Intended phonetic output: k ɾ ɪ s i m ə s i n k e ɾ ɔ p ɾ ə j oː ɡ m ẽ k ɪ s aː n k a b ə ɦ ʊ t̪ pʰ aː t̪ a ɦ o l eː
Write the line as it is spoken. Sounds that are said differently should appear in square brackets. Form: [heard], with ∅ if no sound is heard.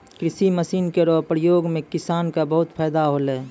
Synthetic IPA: k ɾ ɪ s i m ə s [iː] n k e ɾ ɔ p ɾ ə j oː ɡ m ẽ k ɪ s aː n k a b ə ɦ ʊ t̪ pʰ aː [d̪] a ɦ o l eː